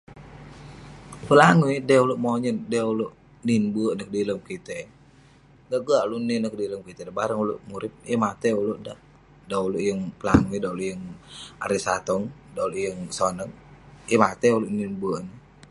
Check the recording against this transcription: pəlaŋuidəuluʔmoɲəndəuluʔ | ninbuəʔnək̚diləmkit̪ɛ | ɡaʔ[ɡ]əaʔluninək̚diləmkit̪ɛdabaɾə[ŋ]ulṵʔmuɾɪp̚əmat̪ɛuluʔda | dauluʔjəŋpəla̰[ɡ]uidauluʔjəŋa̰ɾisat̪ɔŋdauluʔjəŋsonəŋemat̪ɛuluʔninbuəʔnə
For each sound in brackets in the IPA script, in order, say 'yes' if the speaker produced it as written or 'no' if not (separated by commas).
yes, yes, no